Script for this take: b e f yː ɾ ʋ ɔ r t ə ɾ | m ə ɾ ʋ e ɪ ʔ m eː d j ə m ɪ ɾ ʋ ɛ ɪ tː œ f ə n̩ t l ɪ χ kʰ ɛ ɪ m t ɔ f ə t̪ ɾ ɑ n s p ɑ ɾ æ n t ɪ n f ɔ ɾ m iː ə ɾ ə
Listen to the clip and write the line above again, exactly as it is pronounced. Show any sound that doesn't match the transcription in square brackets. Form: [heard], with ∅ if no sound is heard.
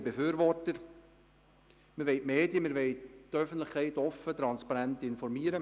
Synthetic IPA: b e f yː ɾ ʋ ɔ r t ə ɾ | m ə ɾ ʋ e ɪ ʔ m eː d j ə m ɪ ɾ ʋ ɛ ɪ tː œ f ə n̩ t l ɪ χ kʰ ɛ ɪ [∅] t ɔ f ə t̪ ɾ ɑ n s p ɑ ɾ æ n t ɪ n f ɔ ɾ m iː ə ɾ ə